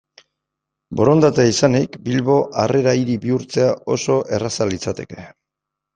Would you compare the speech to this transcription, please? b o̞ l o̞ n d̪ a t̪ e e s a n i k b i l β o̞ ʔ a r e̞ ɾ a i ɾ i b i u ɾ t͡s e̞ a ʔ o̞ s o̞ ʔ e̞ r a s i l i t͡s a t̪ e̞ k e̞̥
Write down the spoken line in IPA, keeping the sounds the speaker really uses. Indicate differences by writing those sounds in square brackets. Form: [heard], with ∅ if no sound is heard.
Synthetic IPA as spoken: b o̞ [ɾ] o̞ n d̪ a t̪ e [i] s a n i k b i l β o̞ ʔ a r e̞ ɾ a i ɾ i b i u ɾ t͡s e̞ a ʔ o̞ s o̞ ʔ e̞ r a s [a] l i t͡s a t̪ e̞ k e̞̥